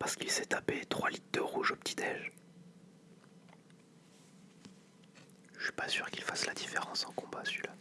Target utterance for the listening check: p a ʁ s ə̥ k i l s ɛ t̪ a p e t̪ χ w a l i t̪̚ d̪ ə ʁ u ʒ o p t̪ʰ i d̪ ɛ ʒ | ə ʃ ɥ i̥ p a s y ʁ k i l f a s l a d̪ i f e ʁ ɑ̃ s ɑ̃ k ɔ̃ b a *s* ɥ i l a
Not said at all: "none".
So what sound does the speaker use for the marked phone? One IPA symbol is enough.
s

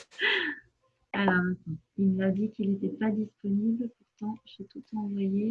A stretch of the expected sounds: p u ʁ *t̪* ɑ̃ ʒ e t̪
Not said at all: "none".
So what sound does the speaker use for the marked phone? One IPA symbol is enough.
t̪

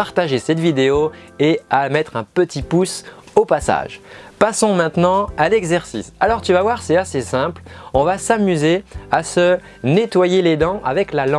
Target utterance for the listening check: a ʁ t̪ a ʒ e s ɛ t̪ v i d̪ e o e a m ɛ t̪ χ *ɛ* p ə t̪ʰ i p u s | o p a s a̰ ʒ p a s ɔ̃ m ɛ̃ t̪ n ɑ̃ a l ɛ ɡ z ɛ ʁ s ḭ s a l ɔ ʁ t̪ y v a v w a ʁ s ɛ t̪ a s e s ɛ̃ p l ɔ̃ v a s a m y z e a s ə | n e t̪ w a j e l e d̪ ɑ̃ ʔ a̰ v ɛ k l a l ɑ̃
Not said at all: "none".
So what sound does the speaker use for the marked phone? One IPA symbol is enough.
ɛ̃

